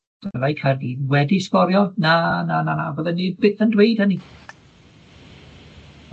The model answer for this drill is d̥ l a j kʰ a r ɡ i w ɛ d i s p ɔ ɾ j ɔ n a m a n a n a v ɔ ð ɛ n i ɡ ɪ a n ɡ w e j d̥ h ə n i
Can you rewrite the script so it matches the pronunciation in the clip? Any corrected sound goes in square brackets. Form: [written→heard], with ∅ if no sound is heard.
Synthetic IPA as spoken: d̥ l a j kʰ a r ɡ i w ɛ d i s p ɔ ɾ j ɔ n a [m→n] a n a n a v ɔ ð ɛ n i [ɡ→b] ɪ [a→ə] n [ɡ→d] w e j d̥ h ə n i